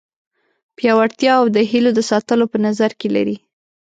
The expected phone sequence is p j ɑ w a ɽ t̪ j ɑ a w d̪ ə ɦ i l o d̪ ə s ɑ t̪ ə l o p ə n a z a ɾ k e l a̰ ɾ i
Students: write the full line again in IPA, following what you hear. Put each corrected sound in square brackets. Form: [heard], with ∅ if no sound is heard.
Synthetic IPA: p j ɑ w a ɽ t̪ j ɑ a w d̪ ə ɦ i l o d̪ ə s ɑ t̪ ə l o p ə n a z a ɾ k e l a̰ ɾ i